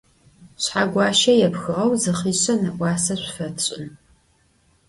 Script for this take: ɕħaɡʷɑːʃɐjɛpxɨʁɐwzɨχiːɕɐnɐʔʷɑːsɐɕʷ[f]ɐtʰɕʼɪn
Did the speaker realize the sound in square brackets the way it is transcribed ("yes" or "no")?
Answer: yes